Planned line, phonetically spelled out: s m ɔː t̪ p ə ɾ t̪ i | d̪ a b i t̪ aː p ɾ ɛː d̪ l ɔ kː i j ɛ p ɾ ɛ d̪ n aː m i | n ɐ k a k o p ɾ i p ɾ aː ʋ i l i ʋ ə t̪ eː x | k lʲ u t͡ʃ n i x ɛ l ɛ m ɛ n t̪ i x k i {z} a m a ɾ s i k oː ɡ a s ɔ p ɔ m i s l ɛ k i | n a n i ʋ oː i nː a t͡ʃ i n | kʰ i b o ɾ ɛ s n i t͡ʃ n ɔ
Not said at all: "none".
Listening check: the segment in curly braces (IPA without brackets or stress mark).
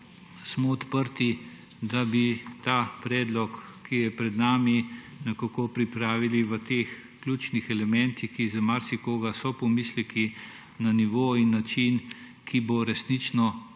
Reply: z